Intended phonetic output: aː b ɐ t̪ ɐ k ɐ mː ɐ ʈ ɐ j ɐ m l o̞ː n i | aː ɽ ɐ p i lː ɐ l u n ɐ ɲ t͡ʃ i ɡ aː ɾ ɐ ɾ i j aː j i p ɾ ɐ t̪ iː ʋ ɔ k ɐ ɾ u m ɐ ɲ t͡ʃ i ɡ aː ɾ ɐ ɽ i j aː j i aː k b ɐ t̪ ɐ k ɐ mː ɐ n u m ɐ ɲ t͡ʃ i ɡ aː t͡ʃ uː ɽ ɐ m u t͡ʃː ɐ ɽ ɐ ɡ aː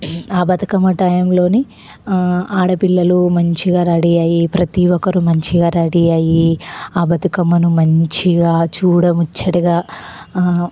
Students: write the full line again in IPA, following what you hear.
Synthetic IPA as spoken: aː b ɐ t̪ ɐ k ɐ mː ɐ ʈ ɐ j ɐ m l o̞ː n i | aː ɽ ɐ p i lː ɐ l u m ɐ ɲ t͡ʃ i ɡ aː ɾ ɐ ɽ i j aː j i p ɾ ɐ t̪ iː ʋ ɔ k ɐ ɾ u m ɐ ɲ t͡ʃ i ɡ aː ɾ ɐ ɽ i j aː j i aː b ɐ t̪ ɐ k ɐ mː ɐ n u m ɐ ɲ t͡ʃ i ɡ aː t͡ʃ uː ɽ ɐ m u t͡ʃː ɐ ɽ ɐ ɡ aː